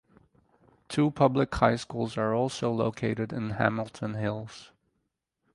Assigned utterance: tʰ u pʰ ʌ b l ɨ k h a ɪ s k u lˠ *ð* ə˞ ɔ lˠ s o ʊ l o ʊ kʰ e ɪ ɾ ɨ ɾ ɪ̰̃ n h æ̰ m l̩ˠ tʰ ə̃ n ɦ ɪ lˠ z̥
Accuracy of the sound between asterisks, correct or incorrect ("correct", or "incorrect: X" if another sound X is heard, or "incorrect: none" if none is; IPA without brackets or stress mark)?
incorrect: z